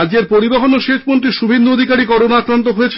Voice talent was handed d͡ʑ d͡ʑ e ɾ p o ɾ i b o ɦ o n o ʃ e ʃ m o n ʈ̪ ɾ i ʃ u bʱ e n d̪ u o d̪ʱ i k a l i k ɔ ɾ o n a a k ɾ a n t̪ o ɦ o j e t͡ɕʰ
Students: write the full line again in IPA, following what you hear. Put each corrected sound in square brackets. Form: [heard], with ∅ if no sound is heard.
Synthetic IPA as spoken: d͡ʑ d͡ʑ e ɾ p o ɾ i b o ɦ o n o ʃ e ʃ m o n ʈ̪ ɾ i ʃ u bʱ e n d̪ u o d̪ʱ i k a [ɾ] i k ɔ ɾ o n a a k ɾ a n t̪ o ɦ o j e t͡ɕʰ